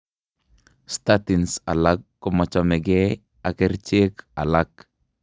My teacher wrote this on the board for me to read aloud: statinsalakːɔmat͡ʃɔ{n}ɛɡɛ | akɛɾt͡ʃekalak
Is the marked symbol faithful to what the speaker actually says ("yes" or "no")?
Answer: no